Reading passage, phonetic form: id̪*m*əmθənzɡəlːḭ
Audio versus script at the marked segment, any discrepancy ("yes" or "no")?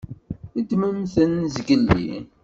no